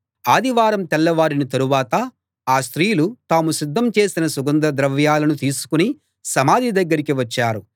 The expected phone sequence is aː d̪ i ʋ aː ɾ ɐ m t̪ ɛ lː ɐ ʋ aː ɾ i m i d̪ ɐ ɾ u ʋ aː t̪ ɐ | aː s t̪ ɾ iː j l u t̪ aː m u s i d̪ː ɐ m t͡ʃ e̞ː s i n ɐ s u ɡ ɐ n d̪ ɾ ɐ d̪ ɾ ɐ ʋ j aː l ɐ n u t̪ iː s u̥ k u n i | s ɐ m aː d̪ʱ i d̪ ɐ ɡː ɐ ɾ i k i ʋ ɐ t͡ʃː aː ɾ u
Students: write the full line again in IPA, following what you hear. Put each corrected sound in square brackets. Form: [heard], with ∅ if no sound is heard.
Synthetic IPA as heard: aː d̪ i ʋ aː ɾ ɐ m t̪ ɛ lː ɐ ʋ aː ɾ i [n] i [t̪] ɐ ɾ u ʋ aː t̪ ɐ | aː s t̪ ɾ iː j l u t̪ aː m u s i d̪ː ɐ m t͡ʃ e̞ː s i n ɐ s u ɡ ɐ n d̪ ɾ ɐ d̪ ɾ ɐ ʋ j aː l ɐ n u t̪ iː s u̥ k u n i | s ɐ m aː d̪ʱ i d̪ ɐ ɡː ɐ ɾ i k i ʋ ɐ t͡ʃː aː ɾ u